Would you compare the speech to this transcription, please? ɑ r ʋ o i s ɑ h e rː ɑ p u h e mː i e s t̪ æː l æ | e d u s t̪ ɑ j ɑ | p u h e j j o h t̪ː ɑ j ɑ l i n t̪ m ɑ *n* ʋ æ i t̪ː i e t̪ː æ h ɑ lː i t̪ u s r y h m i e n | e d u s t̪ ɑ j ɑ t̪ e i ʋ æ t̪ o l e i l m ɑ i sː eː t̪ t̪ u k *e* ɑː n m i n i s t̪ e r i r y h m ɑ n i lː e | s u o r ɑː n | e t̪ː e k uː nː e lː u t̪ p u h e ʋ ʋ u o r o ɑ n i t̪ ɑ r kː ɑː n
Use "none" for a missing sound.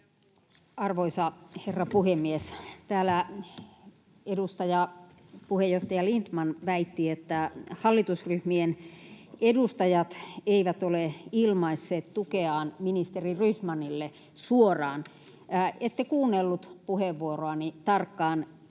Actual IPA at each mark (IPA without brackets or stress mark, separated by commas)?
n, e